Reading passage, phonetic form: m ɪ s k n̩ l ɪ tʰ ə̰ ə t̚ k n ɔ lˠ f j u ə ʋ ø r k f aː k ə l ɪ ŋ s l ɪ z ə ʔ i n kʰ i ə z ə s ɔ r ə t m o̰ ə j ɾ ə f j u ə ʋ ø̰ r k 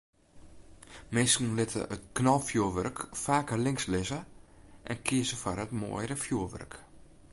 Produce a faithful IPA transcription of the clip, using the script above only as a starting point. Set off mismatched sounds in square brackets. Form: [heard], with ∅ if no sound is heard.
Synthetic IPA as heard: m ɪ s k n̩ l ɪ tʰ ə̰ ə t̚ k n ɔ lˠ f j u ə ʋ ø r k f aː k ə l ɪ ŋ s l ɪ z ə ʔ [ɛ] n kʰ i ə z ə [f] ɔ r ə t m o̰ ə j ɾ ə f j u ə ʋ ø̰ r k

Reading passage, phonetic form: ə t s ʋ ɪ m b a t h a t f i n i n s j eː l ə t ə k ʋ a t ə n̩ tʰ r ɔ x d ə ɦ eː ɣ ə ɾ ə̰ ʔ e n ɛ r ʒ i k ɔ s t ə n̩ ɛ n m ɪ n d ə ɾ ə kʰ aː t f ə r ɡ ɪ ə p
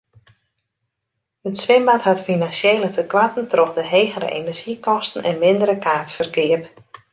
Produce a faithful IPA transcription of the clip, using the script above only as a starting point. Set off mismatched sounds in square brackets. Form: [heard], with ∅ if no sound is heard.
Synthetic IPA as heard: ə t s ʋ ɪ m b a t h a t f i n [a] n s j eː l ə t ə k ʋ a t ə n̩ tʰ r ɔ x d ə ɦ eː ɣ ə ɾ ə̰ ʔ e n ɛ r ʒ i k ɔ s t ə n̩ ɛ n m ɪ n d ə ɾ ə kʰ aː t f ə r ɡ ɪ ə p

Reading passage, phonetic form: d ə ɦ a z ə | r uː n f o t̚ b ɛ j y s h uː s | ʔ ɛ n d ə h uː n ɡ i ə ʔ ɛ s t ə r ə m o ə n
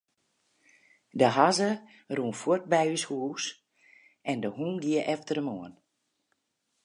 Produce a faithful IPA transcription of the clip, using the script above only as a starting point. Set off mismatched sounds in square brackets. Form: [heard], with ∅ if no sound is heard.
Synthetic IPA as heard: d ə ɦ a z ə | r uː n f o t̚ b ɛ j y s h uː s | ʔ ɛ n d ə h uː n ɡ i ə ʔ ɛ [f] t ə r ə m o ə n

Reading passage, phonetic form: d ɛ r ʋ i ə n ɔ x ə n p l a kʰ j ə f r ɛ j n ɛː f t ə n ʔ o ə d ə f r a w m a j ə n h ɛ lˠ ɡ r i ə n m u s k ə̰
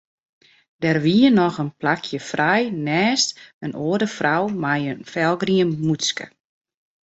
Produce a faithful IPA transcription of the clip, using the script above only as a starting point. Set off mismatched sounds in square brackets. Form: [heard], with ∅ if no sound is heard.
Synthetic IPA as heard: d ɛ r ʋ i ə n ɔ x ə n p l a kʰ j ə f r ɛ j n ɛː [s] t ə n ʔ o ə d ə f r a w m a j ə n [f] ɛ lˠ ɡ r i ə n m u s k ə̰

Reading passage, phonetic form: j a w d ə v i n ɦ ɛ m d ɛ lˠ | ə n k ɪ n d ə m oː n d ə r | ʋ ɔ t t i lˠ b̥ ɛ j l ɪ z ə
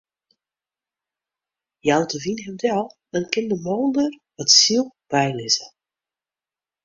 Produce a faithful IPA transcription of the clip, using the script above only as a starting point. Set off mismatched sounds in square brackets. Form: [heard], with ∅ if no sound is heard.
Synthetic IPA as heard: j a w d ə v i n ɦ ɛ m d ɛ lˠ | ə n k ɪ n d ə m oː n d ə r | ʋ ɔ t [s] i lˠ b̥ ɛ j l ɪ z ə

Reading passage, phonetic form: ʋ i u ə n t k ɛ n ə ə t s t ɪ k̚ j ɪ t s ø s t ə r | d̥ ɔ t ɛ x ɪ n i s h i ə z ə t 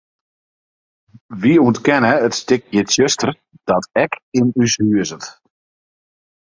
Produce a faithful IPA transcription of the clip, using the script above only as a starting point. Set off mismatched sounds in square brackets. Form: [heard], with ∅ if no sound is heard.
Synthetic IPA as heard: ʋ i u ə n t k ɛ n ə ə t s t ɪ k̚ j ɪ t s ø s t ə r | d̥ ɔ t ɛ [k] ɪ n [y] s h [y] ə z ə t

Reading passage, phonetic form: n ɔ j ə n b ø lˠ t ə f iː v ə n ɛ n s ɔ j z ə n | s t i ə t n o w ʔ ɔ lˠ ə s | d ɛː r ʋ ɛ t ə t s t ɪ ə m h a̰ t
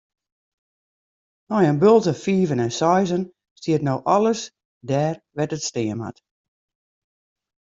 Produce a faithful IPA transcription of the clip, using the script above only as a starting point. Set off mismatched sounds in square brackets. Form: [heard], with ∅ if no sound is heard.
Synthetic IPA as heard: n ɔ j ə n b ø lˠ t ə f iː v ə n ɛ n s ɔ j z ə n | s t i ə t n o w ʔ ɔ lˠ ə s | d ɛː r ʋ ɛ t ə t s t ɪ ə m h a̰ t

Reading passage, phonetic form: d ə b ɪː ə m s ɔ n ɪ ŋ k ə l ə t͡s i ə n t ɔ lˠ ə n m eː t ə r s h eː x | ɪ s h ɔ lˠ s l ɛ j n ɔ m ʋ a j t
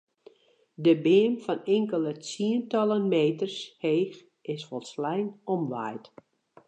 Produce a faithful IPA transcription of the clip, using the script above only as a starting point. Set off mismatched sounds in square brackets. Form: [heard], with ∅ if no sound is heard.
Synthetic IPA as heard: d ə b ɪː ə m [f] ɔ n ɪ ŋ k ə l ə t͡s i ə n t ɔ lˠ ə n m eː t ə r s h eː x | ɪ s [f] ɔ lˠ s l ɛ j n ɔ m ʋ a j t

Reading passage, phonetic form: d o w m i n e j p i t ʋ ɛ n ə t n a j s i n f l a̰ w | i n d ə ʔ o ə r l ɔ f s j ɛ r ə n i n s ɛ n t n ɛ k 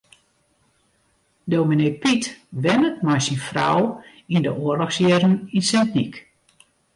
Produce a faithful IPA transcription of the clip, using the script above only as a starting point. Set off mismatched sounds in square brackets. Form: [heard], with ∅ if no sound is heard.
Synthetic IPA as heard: d o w m i n e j p i t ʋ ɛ n ə t [m] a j s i n f [r] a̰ w | i n d ə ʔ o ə r l ɔ [x] s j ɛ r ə n i n s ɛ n t n [i] k

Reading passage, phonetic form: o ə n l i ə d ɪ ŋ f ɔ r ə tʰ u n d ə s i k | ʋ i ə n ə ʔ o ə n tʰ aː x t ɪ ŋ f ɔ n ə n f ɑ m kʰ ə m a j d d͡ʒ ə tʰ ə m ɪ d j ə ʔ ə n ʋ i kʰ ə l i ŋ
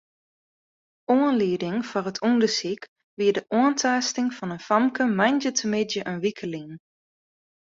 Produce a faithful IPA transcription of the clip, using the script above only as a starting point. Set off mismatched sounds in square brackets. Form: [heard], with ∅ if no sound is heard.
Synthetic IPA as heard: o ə n l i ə d ɪ ŋ f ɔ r ə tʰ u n d ə s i k | ʋ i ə [d] ə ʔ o ə n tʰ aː [s] t ɪ ŋ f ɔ n ə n f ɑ m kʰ ə m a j [n] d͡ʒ ə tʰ ə m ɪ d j ə ʔ ə n ʋ i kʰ ə l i ŋ

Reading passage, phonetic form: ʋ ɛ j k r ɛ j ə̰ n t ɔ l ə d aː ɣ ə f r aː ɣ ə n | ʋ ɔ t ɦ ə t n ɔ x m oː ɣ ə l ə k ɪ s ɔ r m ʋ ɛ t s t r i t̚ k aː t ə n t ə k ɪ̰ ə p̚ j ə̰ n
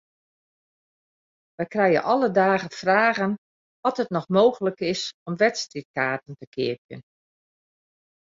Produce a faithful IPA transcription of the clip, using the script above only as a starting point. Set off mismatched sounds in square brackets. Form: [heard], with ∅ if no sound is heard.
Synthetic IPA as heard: ʋ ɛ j k r ɛ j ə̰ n [ʔ] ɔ l ə d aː ɣ ə f r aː ɣ ə n | ʋ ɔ t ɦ ə t n ɔ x m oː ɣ ə l ə k ɪ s ɔ [∅] m ʋ ɛ t s t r i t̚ k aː t ə n t ə k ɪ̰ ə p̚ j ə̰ n

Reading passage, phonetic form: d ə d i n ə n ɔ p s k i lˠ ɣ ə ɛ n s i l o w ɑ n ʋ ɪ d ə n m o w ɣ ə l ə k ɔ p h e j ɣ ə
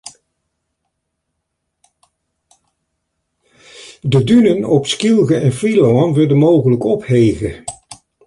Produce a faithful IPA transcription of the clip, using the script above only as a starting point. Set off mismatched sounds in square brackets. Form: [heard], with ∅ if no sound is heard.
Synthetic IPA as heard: d ə d [y] n ə n ɔ p s k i lˠ ɣ ə ɛ n [f] i l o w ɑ n ʋ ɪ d ə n m o w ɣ ə l ə k ɔ p h e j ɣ ə

